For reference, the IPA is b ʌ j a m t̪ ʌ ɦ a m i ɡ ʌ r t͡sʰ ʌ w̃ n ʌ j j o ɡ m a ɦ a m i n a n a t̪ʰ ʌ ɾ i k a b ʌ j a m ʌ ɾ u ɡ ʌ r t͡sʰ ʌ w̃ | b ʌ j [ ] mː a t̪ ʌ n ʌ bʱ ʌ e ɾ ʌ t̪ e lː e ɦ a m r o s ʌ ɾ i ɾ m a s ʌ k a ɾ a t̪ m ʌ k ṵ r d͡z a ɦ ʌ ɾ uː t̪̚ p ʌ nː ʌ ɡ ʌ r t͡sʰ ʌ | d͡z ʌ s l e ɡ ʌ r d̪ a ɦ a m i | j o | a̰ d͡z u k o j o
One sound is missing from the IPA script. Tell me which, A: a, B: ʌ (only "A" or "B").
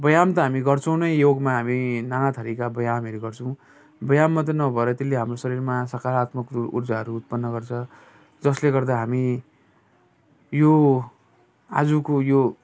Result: A